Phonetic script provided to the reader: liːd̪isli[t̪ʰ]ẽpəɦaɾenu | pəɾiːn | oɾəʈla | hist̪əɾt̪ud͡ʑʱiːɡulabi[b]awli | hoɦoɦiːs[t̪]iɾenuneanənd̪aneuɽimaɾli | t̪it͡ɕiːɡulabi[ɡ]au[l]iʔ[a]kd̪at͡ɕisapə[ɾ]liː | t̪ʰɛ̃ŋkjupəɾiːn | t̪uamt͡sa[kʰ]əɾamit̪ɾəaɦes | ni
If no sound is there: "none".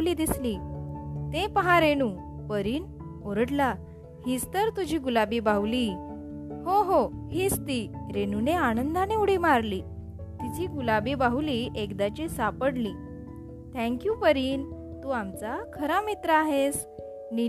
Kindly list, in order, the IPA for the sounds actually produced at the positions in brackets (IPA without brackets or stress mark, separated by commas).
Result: t̪, b, t̪, b, l, e, ɽ, kʰ